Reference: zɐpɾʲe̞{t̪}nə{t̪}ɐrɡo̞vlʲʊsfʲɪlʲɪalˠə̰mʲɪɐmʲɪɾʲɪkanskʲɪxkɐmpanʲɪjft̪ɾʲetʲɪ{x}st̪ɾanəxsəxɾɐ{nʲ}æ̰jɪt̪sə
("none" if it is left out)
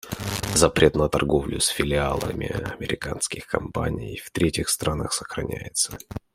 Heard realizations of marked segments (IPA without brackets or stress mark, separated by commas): t̪, t̪, x, nʲ